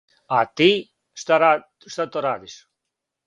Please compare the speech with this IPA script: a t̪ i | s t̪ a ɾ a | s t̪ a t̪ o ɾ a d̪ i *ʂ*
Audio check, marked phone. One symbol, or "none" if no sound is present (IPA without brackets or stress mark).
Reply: s